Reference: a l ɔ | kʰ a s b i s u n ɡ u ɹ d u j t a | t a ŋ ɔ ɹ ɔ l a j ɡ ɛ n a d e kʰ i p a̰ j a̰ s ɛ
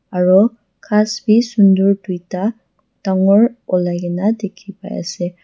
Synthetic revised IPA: a ɹ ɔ | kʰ a s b i s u n d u ɹ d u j t a | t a ŋ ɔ ɹ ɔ l a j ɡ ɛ n a d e kʰ i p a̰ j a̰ s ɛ